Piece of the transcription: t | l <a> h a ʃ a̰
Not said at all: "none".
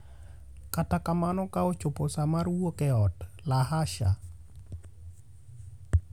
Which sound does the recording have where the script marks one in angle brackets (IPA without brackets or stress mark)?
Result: a